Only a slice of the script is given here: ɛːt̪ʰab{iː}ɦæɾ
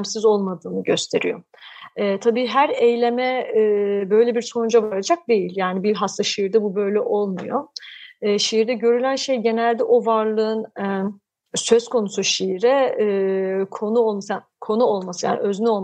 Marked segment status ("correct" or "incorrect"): correct